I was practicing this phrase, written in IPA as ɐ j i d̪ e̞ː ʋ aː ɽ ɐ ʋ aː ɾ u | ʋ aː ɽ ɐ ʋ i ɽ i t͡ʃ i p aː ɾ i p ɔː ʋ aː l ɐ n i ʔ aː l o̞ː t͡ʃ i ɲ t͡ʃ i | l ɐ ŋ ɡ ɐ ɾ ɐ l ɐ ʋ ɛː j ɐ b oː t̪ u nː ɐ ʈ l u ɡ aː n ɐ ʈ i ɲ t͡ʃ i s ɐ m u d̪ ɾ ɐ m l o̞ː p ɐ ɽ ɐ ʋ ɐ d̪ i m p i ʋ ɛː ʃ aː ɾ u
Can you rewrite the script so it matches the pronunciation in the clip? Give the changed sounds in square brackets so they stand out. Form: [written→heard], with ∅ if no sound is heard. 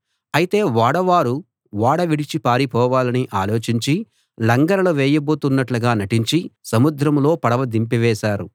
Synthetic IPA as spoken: ɐ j i [d̪→t̪] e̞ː ʋ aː ɽ ɐ ʋ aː ɾ u | ʋ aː ɽ ɐ ʋ i ɽ i t͡ʃ i p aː ɾ i p ɔː ʋ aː l ɐ n i ʔ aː l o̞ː t͡ʃ i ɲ t͡ʃ i | l ɐ ŋ ɡ ɐ ɾ ɐ l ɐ ʋ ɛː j ɐ b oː t̪ u nː ɐ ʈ l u ɡ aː n ɐ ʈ i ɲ t͡ʃ i s ɐ m u d̪ ɾ ɐ m l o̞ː p ɐ ɽ ɐ ʋ ɐ d̪ i m p i ʋ ɛː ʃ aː ɾ u